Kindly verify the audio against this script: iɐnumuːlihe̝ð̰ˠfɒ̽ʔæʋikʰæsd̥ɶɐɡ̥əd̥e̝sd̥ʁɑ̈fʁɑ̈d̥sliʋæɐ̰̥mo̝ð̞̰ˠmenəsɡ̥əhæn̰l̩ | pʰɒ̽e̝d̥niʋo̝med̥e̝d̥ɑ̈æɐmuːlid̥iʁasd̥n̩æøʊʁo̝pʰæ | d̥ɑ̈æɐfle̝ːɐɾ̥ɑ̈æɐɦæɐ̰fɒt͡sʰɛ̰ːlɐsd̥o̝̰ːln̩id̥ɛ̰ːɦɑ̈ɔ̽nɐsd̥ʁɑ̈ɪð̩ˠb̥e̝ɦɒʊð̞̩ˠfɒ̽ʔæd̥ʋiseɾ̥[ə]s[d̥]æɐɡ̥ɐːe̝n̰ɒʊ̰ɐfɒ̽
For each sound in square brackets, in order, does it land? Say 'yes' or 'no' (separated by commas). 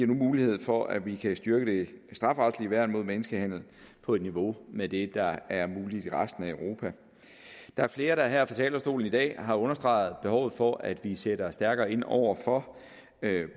no, yes